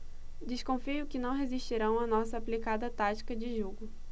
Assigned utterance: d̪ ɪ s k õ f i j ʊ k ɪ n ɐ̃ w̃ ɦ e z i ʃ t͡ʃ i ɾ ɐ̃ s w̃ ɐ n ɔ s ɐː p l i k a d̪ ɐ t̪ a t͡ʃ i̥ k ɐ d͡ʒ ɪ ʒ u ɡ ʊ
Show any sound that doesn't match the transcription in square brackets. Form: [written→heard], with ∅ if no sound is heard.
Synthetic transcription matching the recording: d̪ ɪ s k õ f i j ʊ k ɪ n ɐ̃ w̃ ɦ e z i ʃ t͡ʃ i ɾ ɐ̃ [s→∅] w̃ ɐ n ɔ s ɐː p l i k a d̪ ɐ t̪ a t͡ʃ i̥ k ɐ d͡ʒ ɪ ʒ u ɡ ʊ